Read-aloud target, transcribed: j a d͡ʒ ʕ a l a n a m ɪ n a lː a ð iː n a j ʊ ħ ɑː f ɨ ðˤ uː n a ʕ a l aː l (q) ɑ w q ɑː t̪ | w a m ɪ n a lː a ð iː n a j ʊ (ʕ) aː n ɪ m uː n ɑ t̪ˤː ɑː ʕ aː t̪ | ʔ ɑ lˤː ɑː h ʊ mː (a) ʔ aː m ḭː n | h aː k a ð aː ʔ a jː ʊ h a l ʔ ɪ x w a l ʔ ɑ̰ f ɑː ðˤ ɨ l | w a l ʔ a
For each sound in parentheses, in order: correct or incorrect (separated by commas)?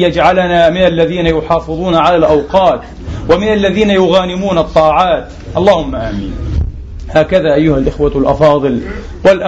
incorrect, incorrect, correct